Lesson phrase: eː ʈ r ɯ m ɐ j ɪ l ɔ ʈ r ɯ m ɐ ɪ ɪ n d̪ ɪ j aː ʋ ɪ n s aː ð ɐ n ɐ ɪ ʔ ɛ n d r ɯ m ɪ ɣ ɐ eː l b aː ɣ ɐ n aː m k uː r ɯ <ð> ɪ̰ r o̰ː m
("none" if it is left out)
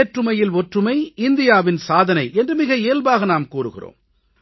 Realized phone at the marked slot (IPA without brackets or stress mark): ɣ